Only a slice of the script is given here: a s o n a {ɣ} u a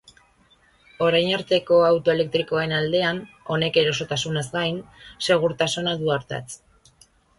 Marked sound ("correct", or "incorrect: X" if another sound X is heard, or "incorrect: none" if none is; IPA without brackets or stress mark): incorrect: ð